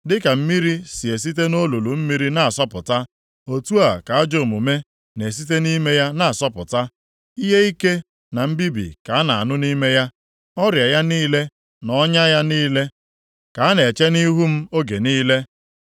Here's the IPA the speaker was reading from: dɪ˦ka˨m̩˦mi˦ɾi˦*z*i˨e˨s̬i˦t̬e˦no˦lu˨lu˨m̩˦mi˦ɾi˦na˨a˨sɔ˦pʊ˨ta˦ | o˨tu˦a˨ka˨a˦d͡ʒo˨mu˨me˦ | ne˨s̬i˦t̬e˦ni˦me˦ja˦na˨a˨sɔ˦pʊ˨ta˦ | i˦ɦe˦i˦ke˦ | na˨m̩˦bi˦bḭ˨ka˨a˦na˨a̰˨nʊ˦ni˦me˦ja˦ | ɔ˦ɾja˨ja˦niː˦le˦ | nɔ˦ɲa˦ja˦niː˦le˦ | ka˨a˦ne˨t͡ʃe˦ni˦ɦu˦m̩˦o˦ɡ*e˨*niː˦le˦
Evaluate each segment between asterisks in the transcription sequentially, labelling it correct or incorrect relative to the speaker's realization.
incorrect: s, correct

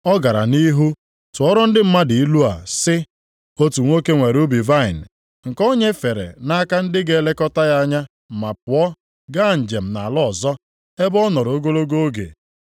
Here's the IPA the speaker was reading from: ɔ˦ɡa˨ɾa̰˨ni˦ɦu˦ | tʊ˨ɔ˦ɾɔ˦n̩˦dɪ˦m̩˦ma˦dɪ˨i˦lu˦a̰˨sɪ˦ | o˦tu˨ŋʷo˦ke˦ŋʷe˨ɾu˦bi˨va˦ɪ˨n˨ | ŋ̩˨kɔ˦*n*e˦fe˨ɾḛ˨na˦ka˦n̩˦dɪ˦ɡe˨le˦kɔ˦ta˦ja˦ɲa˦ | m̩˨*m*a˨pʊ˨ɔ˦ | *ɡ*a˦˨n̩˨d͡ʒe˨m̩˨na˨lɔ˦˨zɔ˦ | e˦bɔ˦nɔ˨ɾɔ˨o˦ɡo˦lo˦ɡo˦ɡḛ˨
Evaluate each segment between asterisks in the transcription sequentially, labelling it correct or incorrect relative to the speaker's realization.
incorrect: ɲ, correct, correct

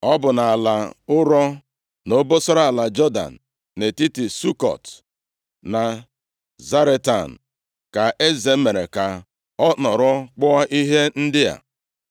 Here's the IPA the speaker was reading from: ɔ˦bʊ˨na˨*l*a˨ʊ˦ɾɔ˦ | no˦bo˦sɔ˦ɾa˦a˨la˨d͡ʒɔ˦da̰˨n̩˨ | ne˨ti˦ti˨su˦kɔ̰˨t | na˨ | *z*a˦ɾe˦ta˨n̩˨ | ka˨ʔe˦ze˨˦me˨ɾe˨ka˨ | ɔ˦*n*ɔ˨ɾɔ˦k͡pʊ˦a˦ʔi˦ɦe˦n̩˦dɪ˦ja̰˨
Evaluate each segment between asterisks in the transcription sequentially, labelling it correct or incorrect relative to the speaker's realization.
correct, correct, correct

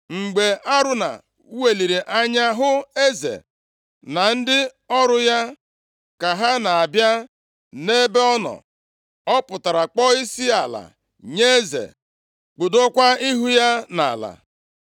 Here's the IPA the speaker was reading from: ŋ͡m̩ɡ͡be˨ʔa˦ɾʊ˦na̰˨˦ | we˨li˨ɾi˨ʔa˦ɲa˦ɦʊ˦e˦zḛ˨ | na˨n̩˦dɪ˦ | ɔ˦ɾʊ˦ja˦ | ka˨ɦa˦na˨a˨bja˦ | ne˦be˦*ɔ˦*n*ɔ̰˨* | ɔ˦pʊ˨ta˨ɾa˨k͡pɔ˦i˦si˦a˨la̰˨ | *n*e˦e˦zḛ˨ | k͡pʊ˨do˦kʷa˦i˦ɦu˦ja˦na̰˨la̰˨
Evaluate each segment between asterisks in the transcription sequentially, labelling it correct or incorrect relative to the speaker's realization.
correct, correct, incorrect: ɲ

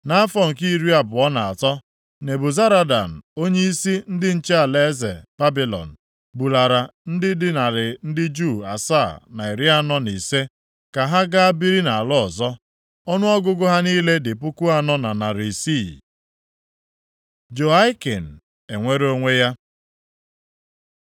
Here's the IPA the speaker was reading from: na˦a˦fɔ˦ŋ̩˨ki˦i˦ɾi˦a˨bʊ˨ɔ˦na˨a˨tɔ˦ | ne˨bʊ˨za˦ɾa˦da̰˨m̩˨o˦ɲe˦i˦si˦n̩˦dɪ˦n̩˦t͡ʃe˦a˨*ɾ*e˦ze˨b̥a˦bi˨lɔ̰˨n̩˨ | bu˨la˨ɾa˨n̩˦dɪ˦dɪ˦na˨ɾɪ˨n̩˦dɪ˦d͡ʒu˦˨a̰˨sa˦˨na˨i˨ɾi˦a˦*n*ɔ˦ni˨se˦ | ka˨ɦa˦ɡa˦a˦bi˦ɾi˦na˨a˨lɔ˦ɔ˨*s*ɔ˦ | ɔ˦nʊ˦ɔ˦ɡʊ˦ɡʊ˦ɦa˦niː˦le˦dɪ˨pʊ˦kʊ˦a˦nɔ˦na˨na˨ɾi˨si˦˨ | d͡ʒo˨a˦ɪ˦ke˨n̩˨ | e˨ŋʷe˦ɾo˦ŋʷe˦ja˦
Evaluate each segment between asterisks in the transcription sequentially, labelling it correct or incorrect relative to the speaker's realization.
incorrect: l, correct, incorrect: z

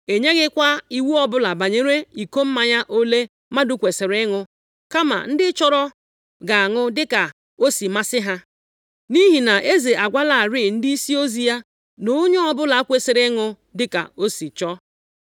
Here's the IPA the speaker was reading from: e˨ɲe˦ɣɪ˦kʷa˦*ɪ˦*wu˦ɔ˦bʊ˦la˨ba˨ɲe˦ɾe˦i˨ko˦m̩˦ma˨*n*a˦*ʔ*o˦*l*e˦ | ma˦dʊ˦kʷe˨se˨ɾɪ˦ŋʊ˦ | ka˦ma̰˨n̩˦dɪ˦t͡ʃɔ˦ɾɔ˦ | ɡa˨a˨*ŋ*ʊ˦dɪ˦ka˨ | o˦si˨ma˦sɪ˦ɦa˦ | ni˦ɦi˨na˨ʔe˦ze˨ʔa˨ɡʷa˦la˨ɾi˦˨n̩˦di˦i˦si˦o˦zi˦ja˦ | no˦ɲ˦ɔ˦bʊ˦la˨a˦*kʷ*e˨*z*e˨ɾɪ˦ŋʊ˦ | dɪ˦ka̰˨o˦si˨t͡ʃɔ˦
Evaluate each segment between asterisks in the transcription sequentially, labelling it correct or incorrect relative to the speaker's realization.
incorrect: i˦, incorrect: ɲ, correct, correct, correct, correct, incorrect: s

